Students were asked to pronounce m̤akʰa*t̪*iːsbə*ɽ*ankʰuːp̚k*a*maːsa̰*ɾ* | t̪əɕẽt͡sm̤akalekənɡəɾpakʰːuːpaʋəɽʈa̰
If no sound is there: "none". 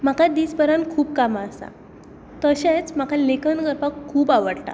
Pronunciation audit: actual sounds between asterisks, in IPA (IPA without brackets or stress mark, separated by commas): d̪, ɾ, a, none